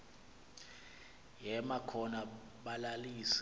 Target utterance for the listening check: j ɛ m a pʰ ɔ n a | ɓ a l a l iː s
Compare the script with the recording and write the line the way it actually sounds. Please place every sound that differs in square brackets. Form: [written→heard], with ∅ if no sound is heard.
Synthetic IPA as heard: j ɛ m a [pʰ→kʰ] ɔ n a | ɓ a l a l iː s